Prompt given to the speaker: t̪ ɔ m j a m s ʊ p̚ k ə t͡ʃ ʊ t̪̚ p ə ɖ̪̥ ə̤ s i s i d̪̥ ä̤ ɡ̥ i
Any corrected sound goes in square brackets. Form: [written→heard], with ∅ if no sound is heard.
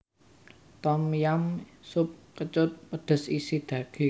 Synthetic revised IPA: t̪ ɔ m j a m s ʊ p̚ k ə t͡ʃ ʊ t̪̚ p ə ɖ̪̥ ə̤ s i s i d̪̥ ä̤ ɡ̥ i